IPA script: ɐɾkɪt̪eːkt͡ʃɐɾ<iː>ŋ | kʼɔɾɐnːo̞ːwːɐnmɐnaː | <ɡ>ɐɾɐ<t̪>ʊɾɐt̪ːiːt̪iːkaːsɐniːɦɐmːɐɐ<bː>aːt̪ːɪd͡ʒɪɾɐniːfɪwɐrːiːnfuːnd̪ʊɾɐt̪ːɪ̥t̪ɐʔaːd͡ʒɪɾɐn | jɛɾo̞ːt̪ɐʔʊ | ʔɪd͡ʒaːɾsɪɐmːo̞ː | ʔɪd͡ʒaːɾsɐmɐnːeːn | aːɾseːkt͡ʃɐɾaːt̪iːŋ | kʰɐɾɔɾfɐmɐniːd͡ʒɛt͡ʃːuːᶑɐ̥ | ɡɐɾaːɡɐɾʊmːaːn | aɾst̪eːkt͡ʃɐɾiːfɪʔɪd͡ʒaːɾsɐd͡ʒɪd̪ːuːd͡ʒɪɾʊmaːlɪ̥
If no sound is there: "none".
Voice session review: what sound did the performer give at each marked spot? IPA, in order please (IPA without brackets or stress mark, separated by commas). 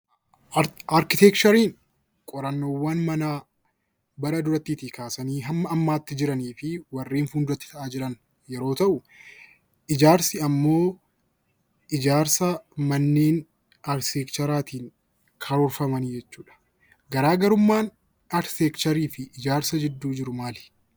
iː, b, d̪, mː